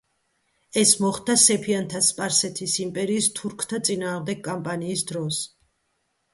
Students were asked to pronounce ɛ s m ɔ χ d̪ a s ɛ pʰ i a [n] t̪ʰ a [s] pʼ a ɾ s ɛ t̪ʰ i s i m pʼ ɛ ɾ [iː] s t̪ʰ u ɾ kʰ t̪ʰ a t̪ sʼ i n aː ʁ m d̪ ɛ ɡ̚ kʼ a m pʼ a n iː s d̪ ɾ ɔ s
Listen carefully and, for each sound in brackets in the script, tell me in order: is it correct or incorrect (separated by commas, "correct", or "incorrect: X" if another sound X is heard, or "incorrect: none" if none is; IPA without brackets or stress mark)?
correct, correct, correct